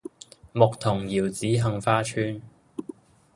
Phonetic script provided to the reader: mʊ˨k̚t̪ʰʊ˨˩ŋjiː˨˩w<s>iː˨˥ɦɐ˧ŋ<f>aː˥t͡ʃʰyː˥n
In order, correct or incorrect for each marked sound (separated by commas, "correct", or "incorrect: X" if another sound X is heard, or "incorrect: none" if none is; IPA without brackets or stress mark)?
incorrect: t͡s, correct